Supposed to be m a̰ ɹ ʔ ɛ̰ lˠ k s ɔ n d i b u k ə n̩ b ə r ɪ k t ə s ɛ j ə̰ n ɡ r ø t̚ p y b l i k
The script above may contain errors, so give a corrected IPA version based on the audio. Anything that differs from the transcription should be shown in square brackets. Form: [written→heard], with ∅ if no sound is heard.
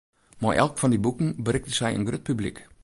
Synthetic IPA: m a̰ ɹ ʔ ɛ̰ lˠ k [s→f] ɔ n d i b u k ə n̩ b ə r ɪ k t ə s ɛ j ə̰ n ɡ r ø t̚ p y b l i k